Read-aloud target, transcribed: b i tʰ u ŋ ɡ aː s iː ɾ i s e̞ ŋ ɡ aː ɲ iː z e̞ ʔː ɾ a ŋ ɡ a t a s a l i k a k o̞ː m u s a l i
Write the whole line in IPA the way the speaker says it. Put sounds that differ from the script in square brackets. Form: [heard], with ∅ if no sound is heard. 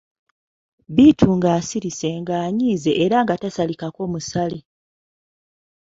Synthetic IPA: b i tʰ u ŋ ɡ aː s [i] ɾ i s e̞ ŋ ɡ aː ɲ iː z e̞ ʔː ɾ a ŋ ɡ a t a s a l i k a k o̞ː m u s a l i